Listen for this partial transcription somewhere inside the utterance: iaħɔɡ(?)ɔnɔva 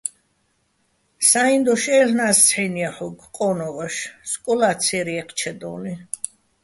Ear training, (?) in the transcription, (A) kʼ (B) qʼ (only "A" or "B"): B